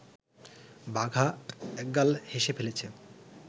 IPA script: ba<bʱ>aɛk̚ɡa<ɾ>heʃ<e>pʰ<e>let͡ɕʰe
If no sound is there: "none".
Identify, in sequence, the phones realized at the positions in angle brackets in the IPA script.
ɡʱ, l, e, e

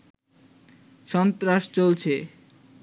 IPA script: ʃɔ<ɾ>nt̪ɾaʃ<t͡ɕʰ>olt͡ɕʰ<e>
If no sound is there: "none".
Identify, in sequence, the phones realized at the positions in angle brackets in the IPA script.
none, t͡ɕ, e

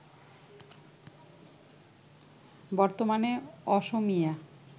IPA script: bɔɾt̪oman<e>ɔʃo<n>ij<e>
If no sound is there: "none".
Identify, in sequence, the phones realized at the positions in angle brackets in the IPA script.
e, m, a

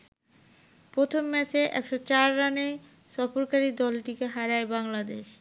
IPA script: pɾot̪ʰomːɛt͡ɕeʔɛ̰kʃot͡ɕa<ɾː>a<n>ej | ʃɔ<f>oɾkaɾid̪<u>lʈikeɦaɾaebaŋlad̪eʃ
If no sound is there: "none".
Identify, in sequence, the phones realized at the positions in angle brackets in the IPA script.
ɾː, n, f, ɔ

